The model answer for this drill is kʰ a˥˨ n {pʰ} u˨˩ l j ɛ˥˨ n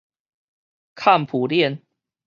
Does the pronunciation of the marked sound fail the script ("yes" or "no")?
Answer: no